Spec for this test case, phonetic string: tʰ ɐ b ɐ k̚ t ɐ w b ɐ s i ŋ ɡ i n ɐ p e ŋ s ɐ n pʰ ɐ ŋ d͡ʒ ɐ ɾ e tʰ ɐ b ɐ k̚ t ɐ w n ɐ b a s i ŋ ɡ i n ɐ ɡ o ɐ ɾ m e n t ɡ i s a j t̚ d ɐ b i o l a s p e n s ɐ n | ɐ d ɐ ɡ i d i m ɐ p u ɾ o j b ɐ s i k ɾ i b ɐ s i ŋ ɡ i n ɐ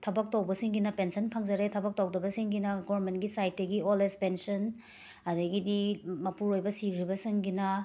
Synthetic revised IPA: tʰ ɐ b ɐ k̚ t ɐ w b ɐ s i ŋ ɡ i n ɐ p e n s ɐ n pʰ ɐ ŋ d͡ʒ ɐ ɾ e tʰ ɐ b ɐ k̚ t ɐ w d ɐ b ɐ s i ŋ ɡ i n ɐ ɡ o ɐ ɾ m e n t ɡ i s a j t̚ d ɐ ɡ i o l e s p e n s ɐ n | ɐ d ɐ ɡ i d i m ɐ p u ɾ o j b ɐ s i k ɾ i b ɐ s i ŋ ɡ i n ɐ